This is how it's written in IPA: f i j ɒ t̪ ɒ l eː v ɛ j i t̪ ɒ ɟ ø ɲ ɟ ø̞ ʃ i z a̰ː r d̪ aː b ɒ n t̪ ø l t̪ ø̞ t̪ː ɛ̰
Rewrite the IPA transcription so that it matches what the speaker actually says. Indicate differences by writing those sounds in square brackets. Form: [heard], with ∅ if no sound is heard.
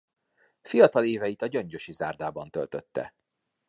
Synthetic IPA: f i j ɒ t̪ ɒ l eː v ɛ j i t̪ ɒ ɟ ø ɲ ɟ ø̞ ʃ i z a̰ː r d̪ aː b ɒ n t̪ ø l t̪ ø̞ t̪ː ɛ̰